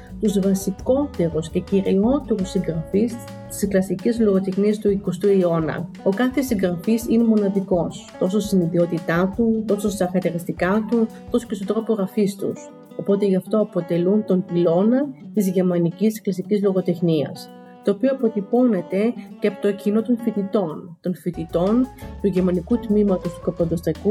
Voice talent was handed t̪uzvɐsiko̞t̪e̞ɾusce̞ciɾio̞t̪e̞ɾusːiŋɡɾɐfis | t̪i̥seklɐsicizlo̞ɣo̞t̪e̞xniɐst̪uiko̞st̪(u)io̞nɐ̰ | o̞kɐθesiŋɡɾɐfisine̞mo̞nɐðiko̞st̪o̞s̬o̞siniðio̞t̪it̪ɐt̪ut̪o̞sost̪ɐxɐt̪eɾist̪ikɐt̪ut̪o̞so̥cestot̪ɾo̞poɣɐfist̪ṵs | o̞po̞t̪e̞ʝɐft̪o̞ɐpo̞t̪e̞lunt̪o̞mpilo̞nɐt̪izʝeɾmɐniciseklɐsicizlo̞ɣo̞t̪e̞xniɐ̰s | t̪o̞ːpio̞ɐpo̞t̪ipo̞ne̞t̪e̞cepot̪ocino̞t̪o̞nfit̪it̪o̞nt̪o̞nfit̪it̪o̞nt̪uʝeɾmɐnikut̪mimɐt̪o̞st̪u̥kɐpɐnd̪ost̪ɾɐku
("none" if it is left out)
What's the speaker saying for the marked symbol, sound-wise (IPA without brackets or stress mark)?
u